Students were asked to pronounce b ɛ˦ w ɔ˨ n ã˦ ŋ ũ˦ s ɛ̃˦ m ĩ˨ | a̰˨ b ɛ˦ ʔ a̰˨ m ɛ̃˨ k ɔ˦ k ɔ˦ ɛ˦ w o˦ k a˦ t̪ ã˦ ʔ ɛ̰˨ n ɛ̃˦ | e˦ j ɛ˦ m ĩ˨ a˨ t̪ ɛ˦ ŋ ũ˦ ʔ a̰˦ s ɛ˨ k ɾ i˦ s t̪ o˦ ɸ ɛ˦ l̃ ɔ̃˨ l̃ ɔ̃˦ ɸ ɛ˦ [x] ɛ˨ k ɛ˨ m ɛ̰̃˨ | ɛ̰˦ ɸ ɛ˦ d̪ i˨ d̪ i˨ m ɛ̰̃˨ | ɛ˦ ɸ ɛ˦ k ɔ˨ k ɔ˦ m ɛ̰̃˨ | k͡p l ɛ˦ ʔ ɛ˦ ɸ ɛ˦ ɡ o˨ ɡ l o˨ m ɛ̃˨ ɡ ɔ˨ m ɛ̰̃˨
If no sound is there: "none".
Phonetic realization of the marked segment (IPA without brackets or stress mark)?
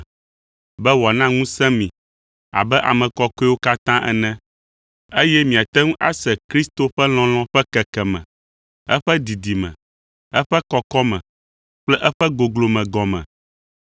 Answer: k